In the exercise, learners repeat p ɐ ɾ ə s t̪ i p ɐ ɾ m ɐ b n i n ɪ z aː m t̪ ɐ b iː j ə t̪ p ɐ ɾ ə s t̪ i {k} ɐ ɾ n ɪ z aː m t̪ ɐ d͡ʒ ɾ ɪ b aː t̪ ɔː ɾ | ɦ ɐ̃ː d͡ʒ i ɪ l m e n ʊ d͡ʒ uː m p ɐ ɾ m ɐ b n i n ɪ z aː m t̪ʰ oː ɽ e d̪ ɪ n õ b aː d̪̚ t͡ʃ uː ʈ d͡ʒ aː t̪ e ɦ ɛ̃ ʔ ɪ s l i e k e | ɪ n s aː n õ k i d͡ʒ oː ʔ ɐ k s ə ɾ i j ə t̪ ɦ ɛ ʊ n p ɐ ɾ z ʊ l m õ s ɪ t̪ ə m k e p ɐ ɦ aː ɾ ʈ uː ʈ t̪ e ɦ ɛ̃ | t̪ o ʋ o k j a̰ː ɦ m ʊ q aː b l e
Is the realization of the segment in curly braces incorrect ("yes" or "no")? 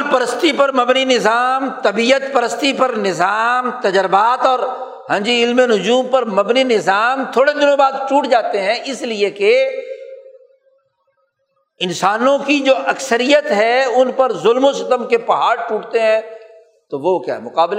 yes